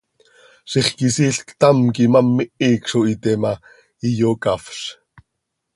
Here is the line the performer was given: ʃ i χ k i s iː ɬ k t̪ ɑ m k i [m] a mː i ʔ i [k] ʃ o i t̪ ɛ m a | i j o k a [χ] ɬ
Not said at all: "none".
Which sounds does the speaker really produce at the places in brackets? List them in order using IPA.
m, k, f

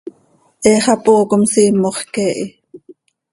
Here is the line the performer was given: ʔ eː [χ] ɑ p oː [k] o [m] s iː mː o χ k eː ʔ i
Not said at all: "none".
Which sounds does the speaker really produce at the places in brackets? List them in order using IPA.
χ, k, m

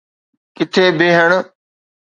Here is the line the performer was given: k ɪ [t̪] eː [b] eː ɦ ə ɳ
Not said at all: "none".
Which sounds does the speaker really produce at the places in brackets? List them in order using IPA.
t̪ʰ, b

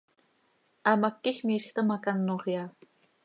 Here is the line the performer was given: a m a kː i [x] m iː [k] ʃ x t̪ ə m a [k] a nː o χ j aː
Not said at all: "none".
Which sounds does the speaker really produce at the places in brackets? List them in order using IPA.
x, none, k

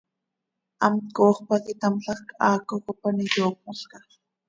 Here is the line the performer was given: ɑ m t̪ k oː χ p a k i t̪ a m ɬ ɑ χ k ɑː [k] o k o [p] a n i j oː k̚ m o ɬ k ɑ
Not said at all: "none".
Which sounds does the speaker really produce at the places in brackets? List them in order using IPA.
k, p

